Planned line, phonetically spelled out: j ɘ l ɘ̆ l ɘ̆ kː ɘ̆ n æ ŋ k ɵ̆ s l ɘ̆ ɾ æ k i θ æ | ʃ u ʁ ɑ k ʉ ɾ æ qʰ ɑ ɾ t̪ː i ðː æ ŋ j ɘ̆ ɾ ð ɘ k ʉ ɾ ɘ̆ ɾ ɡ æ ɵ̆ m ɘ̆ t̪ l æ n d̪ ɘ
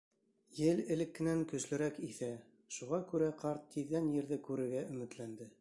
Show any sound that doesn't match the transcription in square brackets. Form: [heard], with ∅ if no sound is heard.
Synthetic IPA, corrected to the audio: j ɘ l ɘ̆ l ɘ̆ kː ɘ̆ n æ ŋ k ɵ̆ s l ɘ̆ ɾ æ k i θ æ | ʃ u ʁ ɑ k ʉ ɾ æ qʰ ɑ ɾ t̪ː i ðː æ [n] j ɘ̆ ɾ ð ɘ k ʉ ɾ ɘ̆ ɾ ɡ æ ɵ̆ m ɘ̆ t̪ l æ n d̪ ɘ